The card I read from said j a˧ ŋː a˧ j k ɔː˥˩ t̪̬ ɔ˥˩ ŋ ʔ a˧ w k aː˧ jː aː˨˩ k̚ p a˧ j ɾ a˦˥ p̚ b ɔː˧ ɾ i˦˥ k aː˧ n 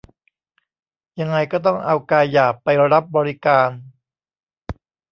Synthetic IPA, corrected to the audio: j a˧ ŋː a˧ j k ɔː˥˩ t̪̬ ɔ˥˩ ŋ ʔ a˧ w k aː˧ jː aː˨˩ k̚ p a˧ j ɾ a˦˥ p̚ b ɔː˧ ɾ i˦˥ k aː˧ n